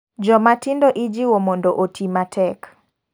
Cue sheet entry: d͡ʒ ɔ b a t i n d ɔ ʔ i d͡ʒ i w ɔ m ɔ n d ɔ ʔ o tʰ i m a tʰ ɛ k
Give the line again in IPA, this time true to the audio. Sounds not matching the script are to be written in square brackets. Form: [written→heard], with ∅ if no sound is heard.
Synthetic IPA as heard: d͡ʒ ɔ [b→m] a t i n d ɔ ʔ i d͡ʒ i w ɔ m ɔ n d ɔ ʔ o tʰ i m a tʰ ɛ k